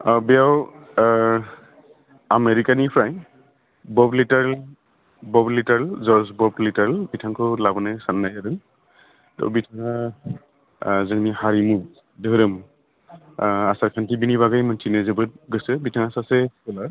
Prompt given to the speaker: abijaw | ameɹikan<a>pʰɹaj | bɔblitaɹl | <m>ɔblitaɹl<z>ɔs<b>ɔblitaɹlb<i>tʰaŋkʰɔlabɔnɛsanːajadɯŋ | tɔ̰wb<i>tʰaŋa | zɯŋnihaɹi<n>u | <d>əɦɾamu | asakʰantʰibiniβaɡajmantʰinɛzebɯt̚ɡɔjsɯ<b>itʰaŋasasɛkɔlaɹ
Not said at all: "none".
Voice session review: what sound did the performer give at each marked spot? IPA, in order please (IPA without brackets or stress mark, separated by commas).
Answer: i, b, z, b, i, i, m, d, b